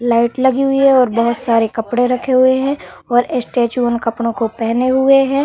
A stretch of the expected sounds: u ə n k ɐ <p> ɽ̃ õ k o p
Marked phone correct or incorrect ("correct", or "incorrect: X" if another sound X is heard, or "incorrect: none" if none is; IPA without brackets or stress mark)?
correct